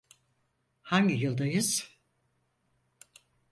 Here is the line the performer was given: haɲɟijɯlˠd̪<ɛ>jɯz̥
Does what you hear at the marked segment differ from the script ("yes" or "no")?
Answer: yes